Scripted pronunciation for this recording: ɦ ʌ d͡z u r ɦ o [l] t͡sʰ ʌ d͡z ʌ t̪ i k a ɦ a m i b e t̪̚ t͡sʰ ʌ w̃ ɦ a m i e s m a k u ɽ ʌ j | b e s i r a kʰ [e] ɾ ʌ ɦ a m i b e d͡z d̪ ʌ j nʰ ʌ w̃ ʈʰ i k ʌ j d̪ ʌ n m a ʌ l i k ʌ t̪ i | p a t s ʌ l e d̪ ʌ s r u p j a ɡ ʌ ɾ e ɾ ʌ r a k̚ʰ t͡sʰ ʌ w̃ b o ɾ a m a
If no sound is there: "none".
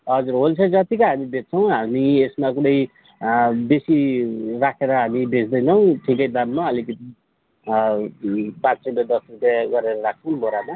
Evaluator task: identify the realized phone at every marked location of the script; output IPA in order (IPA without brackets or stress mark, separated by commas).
l, e